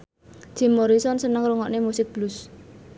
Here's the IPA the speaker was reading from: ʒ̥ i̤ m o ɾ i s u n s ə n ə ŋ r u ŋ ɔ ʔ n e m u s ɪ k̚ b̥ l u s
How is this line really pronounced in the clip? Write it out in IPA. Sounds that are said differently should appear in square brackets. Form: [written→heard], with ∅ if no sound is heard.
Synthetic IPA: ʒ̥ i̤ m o ɾ i s [u→ɔ] n s ə n ə ŋ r u ŋ ɔ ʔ n e m u s ɪ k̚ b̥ l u s